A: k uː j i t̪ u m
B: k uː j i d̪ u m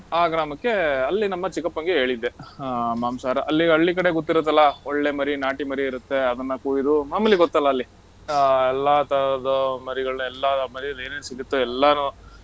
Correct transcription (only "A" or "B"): B